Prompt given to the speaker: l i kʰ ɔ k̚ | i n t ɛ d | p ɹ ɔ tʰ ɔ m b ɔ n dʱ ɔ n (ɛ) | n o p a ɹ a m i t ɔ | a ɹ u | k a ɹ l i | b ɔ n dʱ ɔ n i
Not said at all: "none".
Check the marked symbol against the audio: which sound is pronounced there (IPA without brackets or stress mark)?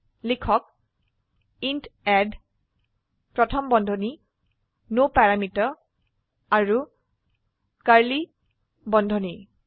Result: i